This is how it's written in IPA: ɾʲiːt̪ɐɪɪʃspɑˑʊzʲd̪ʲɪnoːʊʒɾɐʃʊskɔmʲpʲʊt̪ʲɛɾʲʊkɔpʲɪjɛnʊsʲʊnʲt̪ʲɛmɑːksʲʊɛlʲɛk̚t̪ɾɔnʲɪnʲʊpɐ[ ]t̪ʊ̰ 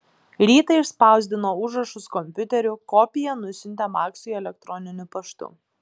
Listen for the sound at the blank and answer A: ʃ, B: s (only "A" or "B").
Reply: A